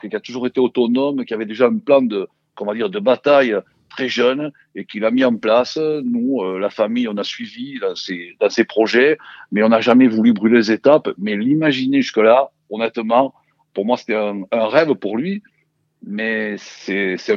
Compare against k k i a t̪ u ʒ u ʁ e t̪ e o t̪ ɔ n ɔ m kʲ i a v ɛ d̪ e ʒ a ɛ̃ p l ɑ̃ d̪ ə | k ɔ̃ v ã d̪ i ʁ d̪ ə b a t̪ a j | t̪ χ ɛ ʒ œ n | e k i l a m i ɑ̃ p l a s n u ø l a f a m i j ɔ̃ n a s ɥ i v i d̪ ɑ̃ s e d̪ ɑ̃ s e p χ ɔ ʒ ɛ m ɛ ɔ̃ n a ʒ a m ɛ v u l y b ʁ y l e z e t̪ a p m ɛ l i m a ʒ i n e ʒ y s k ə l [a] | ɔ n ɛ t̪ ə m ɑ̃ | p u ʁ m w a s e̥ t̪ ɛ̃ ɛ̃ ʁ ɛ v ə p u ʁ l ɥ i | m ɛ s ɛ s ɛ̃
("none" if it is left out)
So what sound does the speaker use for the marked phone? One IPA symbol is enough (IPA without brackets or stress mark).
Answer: a